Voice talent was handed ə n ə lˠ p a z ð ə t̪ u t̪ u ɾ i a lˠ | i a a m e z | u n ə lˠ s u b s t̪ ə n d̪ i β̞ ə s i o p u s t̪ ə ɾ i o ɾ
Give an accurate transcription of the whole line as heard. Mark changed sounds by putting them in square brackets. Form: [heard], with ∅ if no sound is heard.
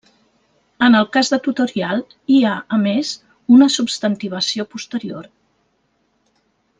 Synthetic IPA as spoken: ə n ə lˠ [k] a z ð ə t̪ u t̪ u ɾ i a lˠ | i a [ə] m e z | u n ə [∅] s u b s t̪ ə n [t̪] i β̞ ə s i o p u s t̪ ə ɾ i o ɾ